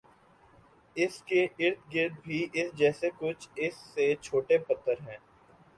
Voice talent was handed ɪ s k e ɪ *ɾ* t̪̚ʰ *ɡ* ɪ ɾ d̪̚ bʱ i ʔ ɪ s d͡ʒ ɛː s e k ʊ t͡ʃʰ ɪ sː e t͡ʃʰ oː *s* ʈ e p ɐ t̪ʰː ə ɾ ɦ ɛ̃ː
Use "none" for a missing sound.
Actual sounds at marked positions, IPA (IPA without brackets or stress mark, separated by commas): ɾ, ɡ, none